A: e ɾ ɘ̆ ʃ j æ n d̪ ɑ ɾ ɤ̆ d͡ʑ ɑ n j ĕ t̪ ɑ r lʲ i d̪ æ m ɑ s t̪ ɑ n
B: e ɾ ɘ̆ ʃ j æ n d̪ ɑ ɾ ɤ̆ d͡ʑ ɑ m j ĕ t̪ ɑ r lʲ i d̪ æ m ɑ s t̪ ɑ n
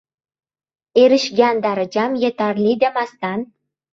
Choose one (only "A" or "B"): B